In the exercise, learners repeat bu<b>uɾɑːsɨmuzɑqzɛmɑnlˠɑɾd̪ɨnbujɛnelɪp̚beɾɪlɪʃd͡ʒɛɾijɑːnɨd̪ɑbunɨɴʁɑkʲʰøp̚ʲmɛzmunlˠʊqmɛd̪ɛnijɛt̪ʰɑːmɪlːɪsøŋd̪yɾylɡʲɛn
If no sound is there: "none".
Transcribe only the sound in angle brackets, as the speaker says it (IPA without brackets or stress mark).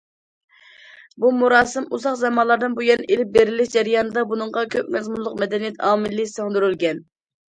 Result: m